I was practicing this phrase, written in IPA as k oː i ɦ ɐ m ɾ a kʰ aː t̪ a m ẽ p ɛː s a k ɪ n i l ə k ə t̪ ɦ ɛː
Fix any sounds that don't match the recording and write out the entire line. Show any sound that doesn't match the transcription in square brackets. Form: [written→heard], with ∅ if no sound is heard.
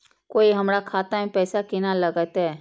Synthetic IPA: k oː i ɦ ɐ m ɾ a kʰ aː t̪ a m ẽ p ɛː s a k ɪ n [i→a] l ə [k→ɡ] ə t̪ ɦ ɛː

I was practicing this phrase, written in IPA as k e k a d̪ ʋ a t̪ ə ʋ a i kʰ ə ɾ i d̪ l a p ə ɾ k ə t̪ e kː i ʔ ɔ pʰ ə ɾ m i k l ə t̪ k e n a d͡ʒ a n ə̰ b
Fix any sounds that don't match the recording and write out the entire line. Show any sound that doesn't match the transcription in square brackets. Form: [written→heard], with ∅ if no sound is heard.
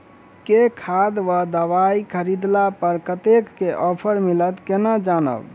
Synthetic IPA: k e [k→kʰ] a d̪ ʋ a [t̪→d̪] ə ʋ a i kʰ ə ɾ i d̪ l a p ə ɾ k ə t̪ e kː [i→e] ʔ ɔ pʰ ə ɾ m i [k→∅] l ə t̪ k e n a d͡ʒ a n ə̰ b

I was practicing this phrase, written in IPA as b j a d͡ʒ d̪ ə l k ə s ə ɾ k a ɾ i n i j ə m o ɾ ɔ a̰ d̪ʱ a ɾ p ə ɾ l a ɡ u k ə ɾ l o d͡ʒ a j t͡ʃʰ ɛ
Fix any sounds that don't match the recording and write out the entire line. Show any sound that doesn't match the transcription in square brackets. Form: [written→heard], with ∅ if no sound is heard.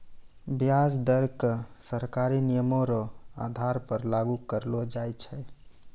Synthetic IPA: b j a d͡ʒ d̪ ə [l→ɾ] k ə s ə ɾ k a ɾ i n i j ə m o ɾ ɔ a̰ d̪ʱ a ɾ p ə ɾ l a ɡ u k ə ɾ l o d͡ʒ a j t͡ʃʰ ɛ

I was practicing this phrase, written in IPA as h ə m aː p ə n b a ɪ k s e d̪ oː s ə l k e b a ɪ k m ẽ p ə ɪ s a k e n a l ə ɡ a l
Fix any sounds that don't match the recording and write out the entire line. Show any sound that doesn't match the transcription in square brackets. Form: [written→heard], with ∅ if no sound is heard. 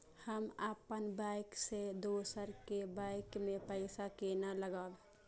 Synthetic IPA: h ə m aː p ə n b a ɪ k s e d̪ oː s ə [l→ɾ] k e b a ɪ k m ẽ p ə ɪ s a k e n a l ə ɡ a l

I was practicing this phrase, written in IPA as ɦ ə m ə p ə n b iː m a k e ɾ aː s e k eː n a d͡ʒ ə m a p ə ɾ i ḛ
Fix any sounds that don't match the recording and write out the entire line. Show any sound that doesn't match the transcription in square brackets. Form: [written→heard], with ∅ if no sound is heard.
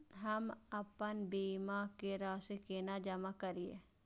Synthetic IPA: ɦ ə m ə p ə n b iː m a k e ɾ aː s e k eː n a d͡ʒ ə m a [p→k] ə ɾ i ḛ

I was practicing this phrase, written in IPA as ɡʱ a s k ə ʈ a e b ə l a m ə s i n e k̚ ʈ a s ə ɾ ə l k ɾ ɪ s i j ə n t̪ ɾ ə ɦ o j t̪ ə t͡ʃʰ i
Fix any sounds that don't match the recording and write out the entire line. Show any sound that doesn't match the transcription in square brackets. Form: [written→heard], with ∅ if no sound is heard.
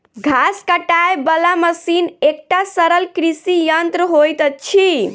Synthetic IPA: ɡʱ a s k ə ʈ a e b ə l a m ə s i n e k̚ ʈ a s ə ɾ ə l k ɾ [ɪ→i] s i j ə n t̪ ɾ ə ɦ o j t̪ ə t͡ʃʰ i

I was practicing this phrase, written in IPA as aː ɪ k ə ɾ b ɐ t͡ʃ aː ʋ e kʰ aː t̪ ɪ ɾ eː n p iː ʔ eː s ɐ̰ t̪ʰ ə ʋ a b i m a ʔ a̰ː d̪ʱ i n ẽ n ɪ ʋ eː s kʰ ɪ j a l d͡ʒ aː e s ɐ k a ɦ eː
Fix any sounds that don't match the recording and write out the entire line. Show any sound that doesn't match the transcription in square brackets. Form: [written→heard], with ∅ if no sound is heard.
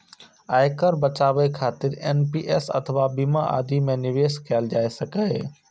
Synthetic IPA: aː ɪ k ə ɾ b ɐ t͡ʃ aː ʋ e kʰ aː t̪ ɪ ɾ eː n p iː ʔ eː s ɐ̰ t̪ʰ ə ʋ a b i m a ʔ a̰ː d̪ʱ i [n→m] ẽ n ɪ ʋ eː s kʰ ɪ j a l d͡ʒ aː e s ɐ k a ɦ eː

